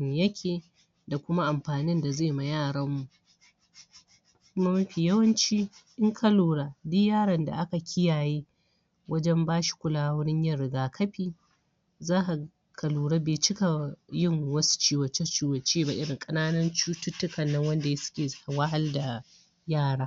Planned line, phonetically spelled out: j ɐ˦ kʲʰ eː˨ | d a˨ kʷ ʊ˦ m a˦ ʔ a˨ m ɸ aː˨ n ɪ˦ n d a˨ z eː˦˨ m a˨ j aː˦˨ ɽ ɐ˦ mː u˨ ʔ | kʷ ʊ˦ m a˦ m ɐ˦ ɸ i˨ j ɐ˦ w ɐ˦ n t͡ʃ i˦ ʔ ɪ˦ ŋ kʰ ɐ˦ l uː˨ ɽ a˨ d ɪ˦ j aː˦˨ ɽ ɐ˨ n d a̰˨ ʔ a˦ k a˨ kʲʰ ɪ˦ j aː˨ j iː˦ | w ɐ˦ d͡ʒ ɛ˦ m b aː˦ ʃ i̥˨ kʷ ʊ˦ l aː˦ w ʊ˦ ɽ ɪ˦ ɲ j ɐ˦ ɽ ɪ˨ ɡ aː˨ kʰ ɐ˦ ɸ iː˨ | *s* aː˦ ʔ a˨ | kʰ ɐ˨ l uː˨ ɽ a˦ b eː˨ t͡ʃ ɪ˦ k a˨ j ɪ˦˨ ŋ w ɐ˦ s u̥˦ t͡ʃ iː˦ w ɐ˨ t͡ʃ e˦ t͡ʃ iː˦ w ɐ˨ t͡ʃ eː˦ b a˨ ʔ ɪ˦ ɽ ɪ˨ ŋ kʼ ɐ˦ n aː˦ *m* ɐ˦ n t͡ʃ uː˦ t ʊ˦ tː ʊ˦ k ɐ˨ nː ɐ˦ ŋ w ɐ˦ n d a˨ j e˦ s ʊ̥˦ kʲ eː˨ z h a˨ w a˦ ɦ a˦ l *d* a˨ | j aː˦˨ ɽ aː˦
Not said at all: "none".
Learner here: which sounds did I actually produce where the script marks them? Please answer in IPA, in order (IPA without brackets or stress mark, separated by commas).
z, n, d